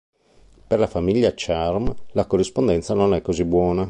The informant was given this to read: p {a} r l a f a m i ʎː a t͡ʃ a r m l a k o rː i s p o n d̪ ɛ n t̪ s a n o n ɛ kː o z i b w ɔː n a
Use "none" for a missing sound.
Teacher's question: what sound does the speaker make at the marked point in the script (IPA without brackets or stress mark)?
e